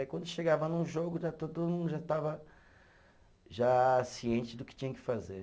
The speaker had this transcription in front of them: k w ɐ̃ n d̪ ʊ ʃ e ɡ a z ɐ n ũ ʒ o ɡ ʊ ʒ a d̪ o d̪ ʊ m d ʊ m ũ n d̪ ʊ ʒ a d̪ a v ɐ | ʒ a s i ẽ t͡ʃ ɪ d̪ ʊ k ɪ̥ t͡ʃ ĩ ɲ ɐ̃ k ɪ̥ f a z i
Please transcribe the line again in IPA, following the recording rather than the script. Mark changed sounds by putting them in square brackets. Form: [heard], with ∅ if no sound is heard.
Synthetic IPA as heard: k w ɐ̃ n d̪ ʊ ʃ e ɡ a [v] ɐ n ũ ʒ o ɡ ʊ ʒ a [t̪] o d̪ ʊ m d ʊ m ũ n d̪ ʊ ʒ a [t̪] a v ɐ | ʒ a s i ẽ t͡ʃ ɪ d̪ ʊ k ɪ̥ t͡ʃ ĩ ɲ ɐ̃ k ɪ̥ f a z [e]